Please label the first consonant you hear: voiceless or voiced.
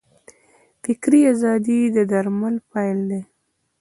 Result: voiceless